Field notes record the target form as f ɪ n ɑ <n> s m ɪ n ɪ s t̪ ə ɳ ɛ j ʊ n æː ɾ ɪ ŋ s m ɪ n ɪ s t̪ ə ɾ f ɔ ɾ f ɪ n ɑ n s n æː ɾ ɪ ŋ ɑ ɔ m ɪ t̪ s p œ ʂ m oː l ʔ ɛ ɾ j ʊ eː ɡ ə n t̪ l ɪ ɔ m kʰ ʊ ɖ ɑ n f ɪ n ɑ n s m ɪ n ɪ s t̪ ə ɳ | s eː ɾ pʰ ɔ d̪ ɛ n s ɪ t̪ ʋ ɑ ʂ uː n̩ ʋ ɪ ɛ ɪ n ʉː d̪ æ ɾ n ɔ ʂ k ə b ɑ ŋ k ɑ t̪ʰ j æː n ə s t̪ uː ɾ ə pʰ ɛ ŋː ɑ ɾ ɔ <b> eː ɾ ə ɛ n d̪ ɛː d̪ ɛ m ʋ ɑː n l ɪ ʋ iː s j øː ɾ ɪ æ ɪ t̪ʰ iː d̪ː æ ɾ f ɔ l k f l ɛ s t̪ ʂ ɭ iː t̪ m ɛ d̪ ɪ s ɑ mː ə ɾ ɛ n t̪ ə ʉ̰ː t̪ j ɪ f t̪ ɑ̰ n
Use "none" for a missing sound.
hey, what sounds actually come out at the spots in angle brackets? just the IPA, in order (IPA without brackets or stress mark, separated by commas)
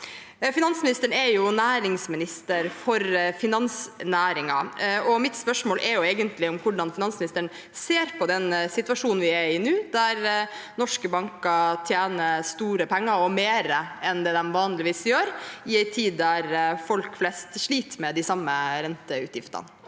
n, m